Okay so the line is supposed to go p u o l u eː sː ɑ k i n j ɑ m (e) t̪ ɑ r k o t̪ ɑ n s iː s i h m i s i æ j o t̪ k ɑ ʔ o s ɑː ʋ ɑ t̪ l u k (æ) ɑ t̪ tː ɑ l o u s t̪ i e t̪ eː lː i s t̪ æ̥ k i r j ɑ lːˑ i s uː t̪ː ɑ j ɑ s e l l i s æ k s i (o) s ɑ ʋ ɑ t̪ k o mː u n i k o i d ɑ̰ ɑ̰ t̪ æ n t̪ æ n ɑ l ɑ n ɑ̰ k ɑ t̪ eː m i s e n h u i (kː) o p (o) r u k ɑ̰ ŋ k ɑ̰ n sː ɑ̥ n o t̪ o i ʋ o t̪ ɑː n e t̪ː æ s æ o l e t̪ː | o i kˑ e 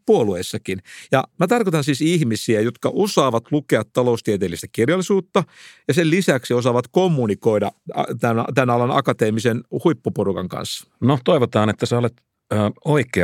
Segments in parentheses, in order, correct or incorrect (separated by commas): incorrect, incorrect, correct, incorrect, correct